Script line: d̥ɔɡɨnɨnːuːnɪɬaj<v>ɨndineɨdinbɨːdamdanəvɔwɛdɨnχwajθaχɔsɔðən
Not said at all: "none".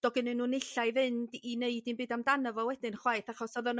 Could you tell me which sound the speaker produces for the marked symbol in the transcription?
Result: v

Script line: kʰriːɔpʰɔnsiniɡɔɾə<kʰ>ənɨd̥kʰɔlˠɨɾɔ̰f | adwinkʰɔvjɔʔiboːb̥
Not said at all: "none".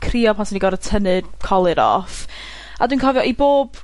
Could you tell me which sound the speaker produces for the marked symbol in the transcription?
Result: tʰ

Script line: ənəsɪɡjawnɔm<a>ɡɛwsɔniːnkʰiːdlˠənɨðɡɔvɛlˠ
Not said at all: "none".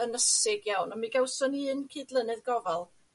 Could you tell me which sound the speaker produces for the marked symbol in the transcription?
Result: i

